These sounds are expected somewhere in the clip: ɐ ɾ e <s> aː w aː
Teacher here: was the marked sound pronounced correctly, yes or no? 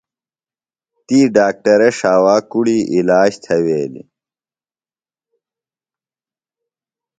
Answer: no